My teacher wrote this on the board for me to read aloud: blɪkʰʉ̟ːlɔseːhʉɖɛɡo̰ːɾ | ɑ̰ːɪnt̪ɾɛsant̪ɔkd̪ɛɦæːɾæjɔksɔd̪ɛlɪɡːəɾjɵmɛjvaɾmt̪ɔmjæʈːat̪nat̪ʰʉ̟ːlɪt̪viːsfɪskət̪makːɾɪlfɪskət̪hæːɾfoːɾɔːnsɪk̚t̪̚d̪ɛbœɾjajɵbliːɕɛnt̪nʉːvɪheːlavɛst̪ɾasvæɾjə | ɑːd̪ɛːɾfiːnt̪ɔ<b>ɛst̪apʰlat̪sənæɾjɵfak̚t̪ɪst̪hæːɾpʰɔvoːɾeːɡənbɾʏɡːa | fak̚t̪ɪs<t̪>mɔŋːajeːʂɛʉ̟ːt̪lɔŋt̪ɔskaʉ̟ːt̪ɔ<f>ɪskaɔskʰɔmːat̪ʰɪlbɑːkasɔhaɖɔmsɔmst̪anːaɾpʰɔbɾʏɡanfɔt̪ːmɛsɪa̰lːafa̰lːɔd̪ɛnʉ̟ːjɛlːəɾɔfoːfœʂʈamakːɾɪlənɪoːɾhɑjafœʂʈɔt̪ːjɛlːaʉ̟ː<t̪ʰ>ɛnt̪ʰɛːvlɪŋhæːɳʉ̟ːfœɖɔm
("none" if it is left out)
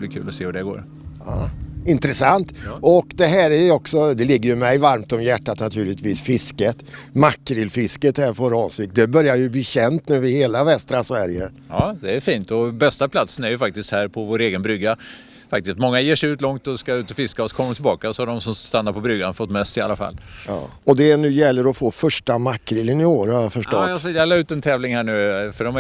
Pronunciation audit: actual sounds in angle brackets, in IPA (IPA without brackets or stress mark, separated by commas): b, t̪, f, t̪